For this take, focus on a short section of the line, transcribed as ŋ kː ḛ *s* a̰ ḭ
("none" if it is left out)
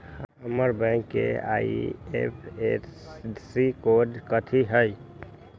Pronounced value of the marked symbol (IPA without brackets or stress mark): none